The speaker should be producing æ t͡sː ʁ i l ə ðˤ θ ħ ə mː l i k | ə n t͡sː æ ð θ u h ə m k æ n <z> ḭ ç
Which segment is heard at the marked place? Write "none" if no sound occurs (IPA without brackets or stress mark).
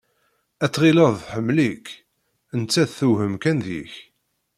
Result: ð